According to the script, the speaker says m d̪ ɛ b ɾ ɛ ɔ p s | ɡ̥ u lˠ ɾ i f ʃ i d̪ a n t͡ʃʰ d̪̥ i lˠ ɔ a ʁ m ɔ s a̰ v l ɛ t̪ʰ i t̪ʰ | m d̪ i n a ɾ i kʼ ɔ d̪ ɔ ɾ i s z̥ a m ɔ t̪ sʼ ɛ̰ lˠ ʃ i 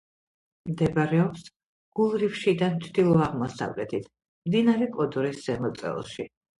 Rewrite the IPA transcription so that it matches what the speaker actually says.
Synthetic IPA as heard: m d̪ ɛ b ɾ ɛ ɔ p s | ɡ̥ u lˠ ɾ i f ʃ i d̪ a n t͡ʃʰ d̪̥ i lˠ ɔ a ʁ m ɔ s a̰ v l ɛ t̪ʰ i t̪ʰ | m d̪ i n a ɾ ɛ kʼ ɔ d̪ ɔ ɾ i s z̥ ɛ m ɔ t̪ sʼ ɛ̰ lˠ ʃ i